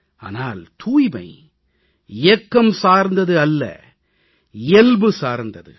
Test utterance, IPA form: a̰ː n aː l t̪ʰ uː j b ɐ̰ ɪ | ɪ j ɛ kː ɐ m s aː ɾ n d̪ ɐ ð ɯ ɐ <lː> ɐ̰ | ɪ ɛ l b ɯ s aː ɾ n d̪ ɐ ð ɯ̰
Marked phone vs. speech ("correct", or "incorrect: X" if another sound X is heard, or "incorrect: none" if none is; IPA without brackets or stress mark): correct